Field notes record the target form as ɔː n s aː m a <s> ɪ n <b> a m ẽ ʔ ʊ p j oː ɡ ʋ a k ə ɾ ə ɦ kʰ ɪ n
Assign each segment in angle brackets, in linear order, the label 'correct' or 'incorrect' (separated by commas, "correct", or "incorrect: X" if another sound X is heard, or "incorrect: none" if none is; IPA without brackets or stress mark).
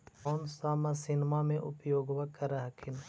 correct, incorrect: m